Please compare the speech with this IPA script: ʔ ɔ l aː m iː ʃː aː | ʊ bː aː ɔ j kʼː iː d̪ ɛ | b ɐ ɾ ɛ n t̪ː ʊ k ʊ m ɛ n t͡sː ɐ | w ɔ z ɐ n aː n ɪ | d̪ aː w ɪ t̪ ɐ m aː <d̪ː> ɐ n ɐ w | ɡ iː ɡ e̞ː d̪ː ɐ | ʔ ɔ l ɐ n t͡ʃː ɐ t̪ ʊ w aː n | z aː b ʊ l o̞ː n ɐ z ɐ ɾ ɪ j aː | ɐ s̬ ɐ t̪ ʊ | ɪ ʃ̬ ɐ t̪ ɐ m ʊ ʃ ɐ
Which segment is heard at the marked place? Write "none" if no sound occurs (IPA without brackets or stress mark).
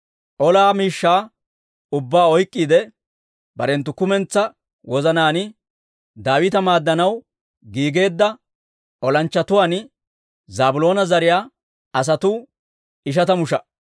d̪ː